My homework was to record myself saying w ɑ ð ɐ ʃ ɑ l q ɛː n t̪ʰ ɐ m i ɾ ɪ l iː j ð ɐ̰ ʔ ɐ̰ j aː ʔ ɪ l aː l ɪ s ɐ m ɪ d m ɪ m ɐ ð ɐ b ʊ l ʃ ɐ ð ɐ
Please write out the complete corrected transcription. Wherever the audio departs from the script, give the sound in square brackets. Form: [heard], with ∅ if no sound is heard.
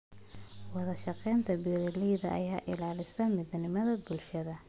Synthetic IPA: w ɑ ð ɐ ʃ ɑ [∅] q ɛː n t̪ʰ ɐ [b] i ɾ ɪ l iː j ð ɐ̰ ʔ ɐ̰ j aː ʔ ɪ l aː l ɪ s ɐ m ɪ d [n] ɪ m ɐ ð ɐ b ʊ l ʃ ɐ ð ɐ